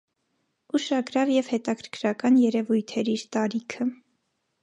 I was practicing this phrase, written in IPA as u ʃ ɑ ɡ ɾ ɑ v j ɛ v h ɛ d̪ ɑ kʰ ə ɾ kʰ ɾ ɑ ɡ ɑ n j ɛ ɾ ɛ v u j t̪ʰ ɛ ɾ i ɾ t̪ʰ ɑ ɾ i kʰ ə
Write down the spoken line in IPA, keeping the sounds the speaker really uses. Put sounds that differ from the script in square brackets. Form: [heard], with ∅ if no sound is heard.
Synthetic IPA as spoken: u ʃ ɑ ɡ ɾ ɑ v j ɛ v h ɛ [t̪] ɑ kʰ ə ɾ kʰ ɾ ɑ [k] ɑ n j ɛ ɾ ɛ v u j t̪ʰ ɛ ɾ i ɾ [t̪] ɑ ɾ i kʰ ə